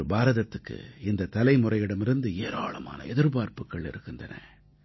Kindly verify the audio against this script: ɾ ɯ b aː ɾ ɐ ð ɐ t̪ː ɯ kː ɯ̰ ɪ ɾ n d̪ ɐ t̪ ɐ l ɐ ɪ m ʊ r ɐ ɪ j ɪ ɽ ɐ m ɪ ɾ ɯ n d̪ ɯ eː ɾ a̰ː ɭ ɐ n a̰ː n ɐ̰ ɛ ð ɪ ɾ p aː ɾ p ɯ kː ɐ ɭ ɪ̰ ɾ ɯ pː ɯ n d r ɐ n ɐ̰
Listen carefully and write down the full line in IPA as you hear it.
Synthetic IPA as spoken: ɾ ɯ b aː ɾ ɐ ð ɐ t̪ː ɯ kː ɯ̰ ɪ n d̪ ɐ t̪ ɐ l ɐ ɪ m ʊ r ɐ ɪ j ɪ ɽ ɐ m ɪ ɾ ɯ n d̪ ɯ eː ɾ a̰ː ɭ ɐ m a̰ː n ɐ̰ ɛ ð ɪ ɾ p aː ɾ p ɯ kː ɐ ɭ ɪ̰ ɾ ɯ kː ɯ n d r ɐ n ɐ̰